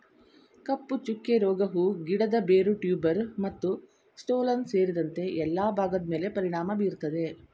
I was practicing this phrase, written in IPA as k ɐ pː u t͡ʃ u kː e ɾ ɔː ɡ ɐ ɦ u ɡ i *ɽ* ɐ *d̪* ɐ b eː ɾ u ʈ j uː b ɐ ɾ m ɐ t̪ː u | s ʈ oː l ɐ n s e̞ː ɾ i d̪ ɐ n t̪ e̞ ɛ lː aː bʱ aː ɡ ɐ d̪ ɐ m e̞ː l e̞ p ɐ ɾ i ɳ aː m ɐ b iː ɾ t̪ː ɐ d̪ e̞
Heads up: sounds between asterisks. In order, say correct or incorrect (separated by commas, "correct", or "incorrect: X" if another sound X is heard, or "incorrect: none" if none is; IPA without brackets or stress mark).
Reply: correct, correct